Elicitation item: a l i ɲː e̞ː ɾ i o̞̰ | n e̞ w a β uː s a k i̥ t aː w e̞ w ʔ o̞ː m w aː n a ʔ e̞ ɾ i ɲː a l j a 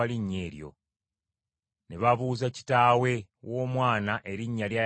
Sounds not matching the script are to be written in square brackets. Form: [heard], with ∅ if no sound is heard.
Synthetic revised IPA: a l i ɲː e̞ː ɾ [j] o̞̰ | n e̞ [β] a β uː [z] a [c] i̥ t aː w e̞ w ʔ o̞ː m w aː n a ʔ e̞ ɾ i ɲː a l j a